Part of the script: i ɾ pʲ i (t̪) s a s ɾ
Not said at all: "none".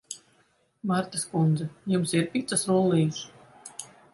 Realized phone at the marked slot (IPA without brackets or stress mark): t̪